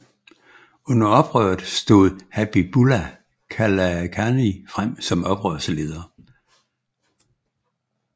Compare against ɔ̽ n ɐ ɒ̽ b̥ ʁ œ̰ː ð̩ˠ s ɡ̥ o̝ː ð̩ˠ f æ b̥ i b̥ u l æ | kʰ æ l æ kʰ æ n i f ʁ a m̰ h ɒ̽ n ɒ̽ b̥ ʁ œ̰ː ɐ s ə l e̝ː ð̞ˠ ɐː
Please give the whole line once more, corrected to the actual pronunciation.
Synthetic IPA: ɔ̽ n ɐ ɒ̽ b̥ ʁ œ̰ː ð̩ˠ s d̥ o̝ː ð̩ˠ h æ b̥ i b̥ u l æ | kʰ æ l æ kʰ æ n i f ʁ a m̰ s ɒ̽ m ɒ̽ b̥ ʁ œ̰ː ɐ s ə l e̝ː ð̞ˠ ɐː

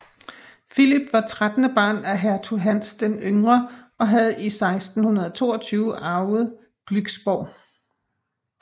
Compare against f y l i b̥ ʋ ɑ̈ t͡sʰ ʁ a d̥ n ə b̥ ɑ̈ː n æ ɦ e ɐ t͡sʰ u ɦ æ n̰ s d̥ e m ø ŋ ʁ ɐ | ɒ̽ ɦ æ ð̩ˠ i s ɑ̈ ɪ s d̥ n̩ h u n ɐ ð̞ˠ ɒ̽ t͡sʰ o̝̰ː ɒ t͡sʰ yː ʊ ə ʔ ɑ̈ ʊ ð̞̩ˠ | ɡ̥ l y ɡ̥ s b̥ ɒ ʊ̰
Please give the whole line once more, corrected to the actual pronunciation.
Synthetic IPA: f i l i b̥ ʋ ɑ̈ t͡sʰ ʁ a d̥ n ə b̥ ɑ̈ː n æ ɦ æ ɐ t͡sʰ u ɦ æ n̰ s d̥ e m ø ŋ ʁ ɐ | ɒ̽ ɦ æ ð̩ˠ i s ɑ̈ ɪ s d̥ n̩ h u n ɐ ð̞ˠ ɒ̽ t͡sʰ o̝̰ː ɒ t͡sʰ yː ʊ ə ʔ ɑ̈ ʊ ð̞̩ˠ | ɡ̥ l y ɡ̥ s b̥ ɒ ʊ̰

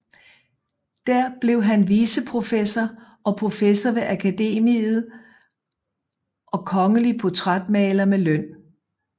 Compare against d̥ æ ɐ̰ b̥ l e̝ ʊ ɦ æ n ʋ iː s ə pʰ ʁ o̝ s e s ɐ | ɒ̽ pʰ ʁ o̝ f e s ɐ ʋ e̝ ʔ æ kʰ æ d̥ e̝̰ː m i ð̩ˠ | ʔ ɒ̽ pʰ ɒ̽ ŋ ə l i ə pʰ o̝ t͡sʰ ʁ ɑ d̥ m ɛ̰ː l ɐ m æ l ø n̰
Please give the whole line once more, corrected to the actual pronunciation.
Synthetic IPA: d̥ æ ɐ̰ b̥ l e̝ ʊ ɦ æ n ʋ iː s ə pʰ ʁ o̝ f e s ɐ | ɒ̽ pʰ ʁ o̝ f e s ɐ ʋ e̝ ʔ æ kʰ æ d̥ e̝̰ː m i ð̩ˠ | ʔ ɒ̽ kʰ ɒ̽ ŋ ə l i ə pʰ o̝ t͡sʰ ʁ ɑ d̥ m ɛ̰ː l ɐ m e l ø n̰

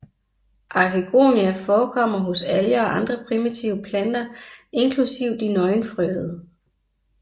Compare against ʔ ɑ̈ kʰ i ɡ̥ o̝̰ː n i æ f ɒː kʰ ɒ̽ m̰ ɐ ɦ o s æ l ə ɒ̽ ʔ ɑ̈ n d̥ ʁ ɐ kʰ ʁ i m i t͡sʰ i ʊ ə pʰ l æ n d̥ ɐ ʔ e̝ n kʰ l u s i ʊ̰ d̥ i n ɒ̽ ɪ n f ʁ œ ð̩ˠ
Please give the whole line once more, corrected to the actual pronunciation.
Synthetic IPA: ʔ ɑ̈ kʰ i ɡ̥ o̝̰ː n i æ f ɒː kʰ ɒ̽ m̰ ɐ ɦ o s æ l ə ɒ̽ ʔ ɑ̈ n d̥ ʁ ɐ pʰ ʁ i m i t͡sʰ i ʊ ə pʰ l æ n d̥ ɐ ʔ e̝ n kʰ l u s i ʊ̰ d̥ i n ɒ̽ ɪ n f ʁ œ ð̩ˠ

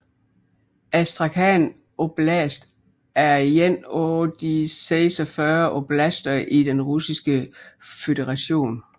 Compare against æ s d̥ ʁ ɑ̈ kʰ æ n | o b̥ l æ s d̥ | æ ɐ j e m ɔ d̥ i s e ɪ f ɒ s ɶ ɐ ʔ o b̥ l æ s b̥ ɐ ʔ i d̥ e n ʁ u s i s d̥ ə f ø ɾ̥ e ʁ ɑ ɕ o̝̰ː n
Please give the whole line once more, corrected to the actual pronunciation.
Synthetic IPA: æ s d̥ ʁ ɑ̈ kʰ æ n | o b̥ l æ s d̥ | æ ɐ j e n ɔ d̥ i s e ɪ s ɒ f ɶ ɐ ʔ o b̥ l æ s d̥ ɐ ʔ i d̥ e n ʁ u s i s ɡ̥ ə f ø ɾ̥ e ʁ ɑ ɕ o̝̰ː n

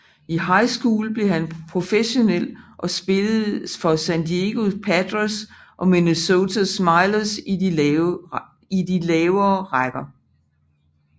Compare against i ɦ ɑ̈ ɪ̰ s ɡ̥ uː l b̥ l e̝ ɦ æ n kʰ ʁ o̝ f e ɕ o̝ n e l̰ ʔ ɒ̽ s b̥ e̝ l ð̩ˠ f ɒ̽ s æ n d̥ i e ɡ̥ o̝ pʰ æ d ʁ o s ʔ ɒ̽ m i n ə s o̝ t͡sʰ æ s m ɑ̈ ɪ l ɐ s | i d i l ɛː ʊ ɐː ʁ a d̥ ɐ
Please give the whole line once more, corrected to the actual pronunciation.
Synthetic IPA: i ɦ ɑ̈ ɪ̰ s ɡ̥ uː l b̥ l e̝ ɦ æ n pʰ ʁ o̝ f e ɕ o̝ n e l̰ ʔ ɒ̽ s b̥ e̝ l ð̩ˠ f ɒ̽ s æ n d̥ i e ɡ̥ o̝ pʰ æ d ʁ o s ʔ ɒ̽ m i n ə s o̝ t͡sʰ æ s m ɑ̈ ɪ l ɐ s | i d i l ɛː ʊ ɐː ʁ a ɡ̥ ɐ

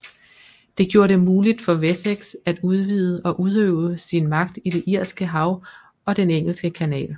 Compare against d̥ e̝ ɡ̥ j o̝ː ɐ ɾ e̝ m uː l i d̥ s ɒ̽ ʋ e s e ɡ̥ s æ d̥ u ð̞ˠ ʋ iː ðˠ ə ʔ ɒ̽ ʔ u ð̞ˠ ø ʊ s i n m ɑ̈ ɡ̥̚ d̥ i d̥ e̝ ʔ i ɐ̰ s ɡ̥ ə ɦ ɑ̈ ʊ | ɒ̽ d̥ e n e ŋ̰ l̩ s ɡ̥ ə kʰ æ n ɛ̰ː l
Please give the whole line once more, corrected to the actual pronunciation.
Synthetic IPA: d̥ e̝ ɡ̥ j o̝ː ɐ ɾ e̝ m uː l i d̥ f ɒ̽ ʋ e s e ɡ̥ s æ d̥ u ð̞ˠ ʋ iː ðˠ ə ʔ ɒ̽ ʔ u ð̞ˠ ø ʊ s i n m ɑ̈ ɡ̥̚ d̥ i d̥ e̝ ʔ i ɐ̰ s ɡ̥ ə ɦ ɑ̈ ʊ | ɒ̽ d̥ e n e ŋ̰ l̩ s ɡ̥ ə kʰ æ n ɛ̰ː l

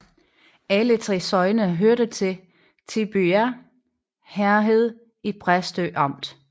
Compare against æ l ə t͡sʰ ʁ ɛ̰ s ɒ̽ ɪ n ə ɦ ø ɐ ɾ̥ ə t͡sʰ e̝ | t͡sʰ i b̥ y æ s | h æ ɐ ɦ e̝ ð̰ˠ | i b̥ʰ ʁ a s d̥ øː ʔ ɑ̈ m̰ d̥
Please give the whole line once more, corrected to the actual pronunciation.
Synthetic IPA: æ l ə t͡sʰ ʁ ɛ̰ s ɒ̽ ɪ n ə ɦ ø ɐ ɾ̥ ə t͡sʰ e̝ | t͡sʰ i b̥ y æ | h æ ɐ ɦ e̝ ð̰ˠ | i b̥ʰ ʁ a s d̥ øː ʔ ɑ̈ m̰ d̥

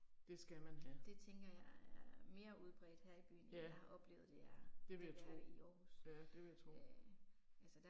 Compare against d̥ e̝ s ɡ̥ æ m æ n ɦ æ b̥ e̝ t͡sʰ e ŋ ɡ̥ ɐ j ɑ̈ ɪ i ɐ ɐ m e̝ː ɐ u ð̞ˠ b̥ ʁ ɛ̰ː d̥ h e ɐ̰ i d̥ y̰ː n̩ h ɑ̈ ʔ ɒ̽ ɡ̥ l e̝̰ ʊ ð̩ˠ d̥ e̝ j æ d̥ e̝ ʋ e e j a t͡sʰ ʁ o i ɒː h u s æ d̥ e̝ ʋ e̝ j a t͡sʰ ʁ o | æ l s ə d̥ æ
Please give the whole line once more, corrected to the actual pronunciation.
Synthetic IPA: d̥ e̝ s ɡ̥ æ m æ n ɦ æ d̥ e̝ t͡sʰ e ŋ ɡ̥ ɐ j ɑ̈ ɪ æ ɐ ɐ m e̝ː ɐ u ð̞ˠ b̥ ʁ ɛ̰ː d̥ h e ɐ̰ i b̥ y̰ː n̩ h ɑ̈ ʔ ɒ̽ b̥ l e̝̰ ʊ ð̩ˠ d̥ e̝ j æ d̥ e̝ ʋ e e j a t͡sʰ ʁ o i ɒː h u s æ d̥ e̝ ʋ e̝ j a t͡sʰ ʁ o | æ l s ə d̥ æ

